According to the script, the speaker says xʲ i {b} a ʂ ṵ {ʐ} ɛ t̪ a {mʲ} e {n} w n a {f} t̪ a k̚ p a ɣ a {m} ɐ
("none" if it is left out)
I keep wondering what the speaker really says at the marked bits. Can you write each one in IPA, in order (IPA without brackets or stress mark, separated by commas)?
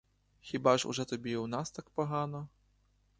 b, ʐ, bʲ, none, s, n